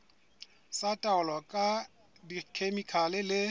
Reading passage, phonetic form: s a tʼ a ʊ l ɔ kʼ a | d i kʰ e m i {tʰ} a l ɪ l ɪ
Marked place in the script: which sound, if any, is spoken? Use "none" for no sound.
kʰ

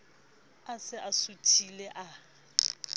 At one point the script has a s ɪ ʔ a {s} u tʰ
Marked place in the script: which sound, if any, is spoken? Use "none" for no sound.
s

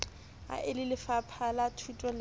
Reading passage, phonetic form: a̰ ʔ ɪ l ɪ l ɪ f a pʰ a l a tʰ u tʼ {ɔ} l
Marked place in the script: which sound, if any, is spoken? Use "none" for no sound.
ɔ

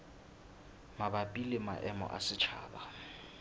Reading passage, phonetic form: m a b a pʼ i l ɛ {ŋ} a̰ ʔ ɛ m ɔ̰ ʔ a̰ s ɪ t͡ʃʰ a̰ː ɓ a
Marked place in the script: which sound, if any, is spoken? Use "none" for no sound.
m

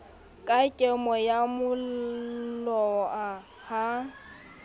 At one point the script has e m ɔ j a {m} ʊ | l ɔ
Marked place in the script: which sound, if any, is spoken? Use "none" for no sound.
m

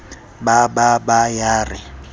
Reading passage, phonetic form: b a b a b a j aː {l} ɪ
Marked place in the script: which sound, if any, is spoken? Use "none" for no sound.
r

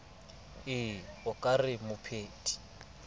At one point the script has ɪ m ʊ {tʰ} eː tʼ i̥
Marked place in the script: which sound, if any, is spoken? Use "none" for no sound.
pʰ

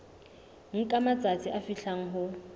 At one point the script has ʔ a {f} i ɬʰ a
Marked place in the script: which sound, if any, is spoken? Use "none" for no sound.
f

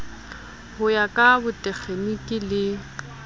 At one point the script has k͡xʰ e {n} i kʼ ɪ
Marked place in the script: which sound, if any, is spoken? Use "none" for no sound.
n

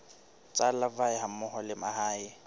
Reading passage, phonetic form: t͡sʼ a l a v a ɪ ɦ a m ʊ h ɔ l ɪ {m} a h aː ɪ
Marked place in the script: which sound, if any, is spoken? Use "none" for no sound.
m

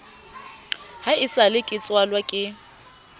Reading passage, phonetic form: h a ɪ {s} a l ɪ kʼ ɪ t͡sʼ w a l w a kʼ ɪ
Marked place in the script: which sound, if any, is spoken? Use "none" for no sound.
s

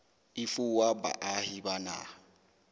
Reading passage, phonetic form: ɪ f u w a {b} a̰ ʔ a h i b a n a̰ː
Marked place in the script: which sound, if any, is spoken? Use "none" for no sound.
b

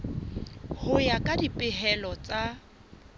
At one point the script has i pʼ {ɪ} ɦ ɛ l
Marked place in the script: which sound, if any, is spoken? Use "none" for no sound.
ɪ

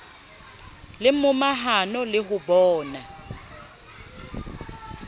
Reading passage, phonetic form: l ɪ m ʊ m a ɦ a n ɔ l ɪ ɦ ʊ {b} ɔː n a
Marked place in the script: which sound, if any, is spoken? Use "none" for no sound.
b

